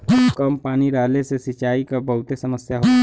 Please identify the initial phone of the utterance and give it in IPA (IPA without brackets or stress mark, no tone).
k